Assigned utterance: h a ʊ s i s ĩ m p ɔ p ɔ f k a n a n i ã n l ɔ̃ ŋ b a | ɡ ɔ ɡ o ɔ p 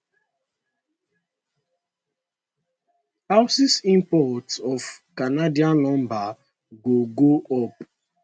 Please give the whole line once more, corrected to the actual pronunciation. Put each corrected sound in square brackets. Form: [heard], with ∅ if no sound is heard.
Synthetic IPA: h a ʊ s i s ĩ m p ɔ [t] ɔ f k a n a [d] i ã n l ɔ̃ [m] b a | ɡ [o] ɡ o ɔ p